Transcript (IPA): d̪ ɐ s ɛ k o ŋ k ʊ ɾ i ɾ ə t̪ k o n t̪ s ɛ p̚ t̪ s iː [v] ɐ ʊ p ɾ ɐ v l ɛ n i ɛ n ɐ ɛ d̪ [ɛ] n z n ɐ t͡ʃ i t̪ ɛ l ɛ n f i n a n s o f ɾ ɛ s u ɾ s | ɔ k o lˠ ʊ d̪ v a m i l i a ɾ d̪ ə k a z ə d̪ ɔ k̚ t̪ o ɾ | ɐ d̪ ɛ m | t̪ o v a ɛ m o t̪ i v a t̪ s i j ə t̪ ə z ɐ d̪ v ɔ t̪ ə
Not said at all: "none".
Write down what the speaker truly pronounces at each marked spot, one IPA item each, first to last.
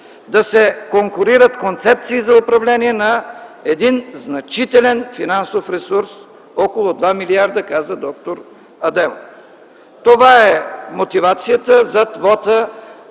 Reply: z, i

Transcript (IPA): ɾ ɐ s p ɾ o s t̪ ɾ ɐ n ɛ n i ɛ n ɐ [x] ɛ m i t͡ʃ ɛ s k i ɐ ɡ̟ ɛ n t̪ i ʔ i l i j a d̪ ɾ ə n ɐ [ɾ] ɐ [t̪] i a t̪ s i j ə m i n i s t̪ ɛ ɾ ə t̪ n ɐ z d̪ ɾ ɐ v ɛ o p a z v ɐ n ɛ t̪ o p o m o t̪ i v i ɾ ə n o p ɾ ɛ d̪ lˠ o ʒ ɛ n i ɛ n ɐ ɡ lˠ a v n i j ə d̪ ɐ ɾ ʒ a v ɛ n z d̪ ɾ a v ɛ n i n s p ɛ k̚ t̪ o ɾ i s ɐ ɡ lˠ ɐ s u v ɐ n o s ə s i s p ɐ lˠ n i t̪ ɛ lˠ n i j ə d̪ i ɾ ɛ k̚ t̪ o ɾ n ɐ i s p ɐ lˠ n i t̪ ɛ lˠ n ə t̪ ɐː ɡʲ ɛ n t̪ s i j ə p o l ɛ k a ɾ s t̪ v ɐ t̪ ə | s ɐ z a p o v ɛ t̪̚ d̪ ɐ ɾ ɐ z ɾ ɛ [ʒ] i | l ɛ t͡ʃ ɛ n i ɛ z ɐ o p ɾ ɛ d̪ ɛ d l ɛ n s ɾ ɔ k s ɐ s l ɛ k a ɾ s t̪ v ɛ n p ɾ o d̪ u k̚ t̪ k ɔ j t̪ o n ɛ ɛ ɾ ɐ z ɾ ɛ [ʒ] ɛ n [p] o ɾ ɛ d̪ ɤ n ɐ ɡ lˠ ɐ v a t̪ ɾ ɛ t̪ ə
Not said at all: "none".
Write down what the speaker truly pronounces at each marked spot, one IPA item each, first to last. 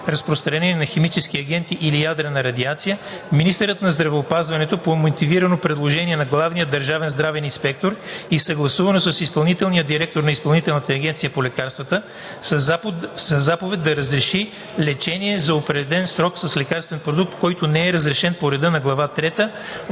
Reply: x, ɾ, d̪, ʃ, ʃ, p

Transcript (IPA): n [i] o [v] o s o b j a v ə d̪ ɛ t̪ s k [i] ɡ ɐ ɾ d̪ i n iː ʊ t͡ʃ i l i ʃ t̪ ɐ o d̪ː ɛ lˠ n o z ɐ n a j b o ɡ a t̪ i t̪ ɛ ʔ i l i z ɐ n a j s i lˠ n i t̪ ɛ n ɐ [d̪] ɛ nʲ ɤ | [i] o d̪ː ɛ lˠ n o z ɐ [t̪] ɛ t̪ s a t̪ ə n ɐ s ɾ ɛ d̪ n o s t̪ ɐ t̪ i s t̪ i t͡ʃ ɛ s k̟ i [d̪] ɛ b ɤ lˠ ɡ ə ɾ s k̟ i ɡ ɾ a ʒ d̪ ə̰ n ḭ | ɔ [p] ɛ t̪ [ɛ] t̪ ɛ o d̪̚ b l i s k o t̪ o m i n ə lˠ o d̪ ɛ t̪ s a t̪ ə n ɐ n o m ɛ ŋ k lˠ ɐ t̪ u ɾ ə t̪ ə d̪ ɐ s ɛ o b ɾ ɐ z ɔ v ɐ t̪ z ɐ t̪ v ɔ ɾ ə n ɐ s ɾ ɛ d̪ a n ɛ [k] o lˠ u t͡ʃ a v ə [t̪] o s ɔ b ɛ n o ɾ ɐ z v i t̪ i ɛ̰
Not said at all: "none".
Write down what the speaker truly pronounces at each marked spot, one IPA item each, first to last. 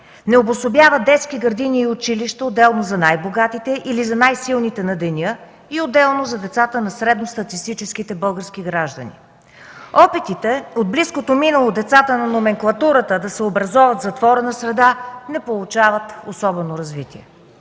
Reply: ɛ, b, i, d̪, i, d̪, t̪, p, i, p, t̪

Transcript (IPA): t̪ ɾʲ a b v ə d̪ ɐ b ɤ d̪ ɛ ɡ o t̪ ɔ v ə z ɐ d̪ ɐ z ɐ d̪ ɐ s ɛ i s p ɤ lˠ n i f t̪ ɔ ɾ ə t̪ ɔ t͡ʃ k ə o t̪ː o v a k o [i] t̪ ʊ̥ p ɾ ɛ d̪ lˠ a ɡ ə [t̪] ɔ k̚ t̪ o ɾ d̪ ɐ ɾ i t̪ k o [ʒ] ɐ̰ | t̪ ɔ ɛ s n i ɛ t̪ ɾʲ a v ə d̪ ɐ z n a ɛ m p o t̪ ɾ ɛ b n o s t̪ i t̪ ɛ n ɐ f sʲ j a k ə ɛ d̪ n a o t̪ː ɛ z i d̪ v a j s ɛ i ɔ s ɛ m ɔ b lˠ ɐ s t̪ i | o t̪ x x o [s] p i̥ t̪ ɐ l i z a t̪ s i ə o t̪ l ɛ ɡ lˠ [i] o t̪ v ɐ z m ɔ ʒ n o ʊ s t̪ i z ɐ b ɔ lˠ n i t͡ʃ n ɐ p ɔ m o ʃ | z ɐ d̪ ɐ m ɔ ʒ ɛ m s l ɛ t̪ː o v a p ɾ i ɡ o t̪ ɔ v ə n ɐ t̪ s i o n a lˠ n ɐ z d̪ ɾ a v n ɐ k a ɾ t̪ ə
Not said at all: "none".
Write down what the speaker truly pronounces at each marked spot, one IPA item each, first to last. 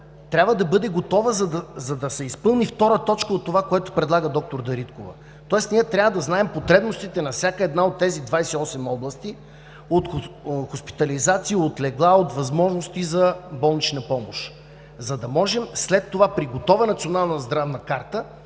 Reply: ɛ, d̪, v, s, a

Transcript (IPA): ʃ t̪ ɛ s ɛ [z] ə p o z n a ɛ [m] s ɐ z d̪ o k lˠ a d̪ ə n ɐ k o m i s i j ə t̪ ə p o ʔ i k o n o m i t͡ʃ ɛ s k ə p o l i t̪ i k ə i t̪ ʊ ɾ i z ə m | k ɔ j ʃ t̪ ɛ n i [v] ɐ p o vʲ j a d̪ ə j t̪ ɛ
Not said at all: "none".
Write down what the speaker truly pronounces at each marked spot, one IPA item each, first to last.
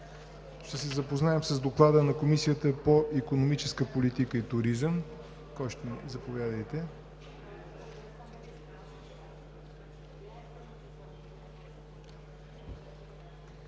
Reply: z, m, z

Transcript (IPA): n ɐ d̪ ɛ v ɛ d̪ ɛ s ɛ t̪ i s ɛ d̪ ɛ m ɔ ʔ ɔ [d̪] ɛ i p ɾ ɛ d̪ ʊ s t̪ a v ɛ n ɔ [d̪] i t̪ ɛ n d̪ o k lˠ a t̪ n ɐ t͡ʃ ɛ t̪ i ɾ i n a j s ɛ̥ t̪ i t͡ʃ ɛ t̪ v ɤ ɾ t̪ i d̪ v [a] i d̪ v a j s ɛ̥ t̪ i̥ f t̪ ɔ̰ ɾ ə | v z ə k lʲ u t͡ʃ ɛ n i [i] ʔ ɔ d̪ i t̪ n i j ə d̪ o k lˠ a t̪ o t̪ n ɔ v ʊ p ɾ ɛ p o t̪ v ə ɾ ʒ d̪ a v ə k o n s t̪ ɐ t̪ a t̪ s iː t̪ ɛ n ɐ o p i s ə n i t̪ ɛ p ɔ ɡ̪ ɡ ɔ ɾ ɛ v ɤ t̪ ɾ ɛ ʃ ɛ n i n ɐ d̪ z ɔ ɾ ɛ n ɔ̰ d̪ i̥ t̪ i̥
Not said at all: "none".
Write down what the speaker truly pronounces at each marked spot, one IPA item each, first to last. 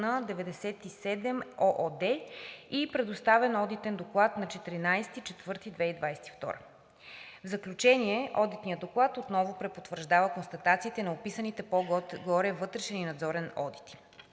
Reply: d̪, d̪, ɛ, ɛ

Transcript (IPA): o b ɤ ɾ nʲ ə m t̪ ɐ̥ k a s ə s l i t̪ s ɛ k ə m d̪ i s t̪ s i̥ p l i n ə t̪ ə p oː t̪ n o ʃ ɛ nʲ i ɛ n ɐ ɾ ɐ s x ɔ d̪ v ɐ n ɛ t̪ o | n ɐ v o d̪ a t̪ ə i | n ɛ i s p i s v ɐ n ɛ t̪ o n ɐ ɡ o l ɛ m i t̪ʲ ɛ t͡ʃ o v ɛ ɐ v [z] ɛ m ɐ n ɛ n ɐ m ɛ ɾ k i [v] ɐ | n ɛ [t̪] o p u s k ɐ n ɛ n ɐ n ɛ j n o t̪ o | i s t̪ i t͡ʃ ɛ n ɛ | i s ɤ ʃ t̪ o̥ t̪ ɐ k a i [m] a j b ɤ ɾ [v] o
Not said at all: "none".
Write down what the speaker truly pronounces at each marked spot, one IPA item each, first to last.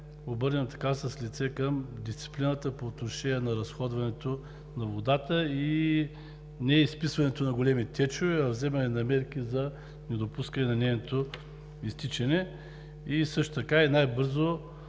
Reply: z, z, d̪, n, z

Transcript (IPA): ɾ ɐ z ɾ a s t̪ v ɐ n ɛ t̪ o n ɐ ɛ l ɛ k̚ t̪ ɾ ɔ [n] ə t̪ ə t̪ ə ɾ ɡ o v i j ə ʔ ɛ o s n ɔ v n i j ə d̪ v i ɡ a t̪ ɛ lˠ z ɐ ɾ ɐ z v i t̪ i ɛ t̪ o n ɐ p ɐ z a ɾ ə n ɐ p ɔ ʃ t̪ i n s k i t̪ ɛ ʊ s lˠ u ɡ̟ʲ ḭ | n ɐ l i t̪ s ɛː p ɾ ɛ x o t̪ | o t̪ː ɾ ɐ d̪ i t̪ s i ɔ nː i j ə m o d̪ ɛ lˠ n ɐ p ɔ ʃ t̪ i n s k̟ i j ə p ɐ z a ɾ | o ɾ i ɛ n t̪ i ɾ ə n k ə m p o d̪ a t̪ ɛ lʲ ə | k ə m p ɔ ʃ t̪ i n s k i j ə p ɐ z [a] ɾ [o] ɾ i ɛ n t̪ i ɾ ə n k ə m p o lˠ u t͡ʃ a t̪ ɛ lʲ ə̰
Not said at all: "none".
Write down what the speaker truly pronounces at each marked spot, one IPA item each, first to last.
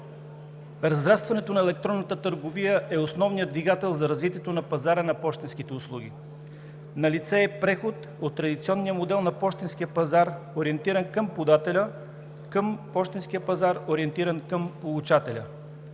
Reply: nː, a, o

